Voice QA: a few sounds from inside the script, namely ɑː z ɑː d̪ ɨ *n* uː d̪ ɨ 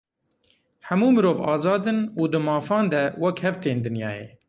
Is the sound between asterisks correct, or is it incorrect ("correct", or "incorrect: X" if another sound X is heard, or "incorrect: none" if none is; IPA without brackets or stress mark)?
correct